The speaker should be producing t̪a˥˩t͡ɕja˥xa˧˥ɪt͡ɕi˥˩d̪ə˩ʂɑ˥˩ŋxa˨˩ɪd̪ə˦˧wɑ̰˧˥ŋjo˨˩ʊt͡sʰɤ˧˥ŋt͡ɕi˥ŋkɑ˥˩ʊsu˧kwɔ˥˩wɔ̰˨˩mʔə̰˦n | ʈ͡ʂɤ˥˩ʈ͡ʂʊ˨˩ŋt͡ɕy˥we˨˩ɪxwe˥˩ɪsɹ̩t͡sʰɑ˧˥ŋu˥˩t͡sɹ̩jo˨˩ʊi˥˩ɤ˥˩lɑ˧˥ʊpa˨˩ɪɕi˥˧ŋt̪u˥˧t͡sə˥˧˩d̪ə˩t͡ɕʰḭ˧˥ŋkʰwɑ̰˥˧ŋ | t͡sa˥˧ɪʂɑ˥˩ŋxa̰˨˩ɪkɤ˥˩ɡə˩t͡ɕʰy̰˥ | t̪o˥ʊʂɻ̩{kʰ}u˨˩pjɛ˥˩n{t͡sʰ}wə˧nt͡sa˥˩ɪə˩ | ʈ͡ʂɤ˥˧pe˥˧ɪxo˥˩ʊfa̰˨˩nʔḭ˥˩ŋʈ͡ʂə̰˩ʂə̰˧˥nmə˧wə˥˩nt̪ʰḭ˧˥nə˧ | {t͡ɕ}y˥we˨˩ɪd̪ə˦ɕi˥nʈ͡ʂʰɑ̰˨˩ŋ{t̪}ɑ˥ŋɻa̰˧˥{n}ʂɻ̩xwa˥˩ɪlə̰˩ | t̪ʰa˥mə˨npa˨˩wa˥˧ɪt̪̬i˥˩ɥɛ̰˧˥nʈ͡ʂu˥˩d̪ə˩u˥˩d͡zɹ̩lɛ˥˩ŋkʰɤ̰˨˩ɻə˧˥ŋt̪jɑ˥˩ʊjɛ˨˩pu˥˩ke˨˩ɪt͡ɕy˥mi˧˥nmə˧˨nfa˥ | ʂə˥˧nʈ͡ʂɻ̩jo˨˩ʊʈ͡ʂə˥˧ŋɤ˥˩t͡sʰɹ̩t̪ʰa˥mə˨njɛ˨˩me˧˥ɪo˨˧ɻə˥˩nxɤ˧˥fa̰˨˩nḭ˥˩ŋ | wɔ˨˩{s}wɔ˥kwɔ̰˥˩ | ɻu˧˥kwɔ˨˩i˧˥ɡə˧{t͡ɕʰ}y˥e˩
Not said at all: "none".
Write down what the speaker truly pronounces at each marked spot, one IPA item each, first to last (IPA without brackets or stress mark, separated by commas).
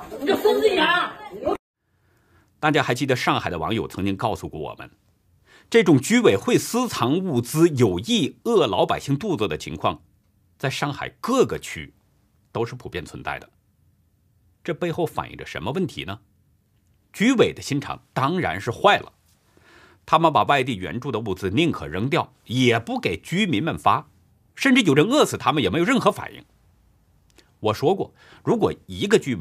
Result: pʰ, t͡sʰ, t͡ɕ, t̪, n, ʂ, t͡ɕ